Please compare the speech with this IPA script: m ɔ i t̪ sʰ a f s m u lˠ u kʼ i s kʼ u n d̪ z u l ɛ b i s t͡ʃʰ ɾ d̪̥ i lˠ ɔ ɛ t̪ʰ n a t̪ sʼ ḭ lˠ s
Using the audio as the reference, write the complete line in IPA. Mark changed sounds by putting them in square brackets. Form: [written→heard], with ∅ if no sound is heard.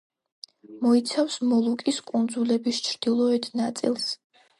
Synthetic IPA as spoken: m ɔ i t̪ sʰ a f s m [u→ɔ] lˠ u kʼ i s kʼ u n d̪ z u l ɛ b i s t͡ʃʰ ɾ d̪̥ i lˠ ɔ ɛ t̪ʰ n a t̪ sʼ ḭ lˠ s